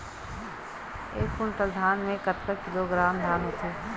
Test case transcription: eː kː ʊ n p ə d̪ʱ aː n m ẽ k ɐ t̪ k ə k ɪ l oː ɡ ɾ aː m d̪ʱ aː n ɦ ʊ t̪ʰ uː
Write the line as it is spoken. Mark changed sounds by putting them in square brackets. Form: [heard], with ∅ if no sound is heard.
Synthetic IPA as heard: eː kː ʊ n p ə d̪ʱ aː n m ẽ k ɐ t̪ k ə k ɪ l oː ɡ ɾ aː m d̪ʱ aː n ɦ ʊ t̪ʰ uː